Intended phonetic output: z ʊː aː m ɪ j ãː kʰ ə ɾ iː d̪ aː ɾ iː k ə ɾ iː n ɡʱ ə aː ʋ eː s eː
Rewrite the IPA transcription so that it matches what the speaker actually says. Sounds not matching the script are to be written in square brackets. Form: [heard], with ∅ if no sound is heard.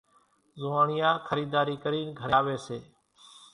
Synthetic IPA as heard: z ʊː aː [ɳ] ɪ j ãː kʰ ə ɾ iː d̪ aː ɾ iː k ə ɾ iː n ɡʱ ə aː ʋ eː s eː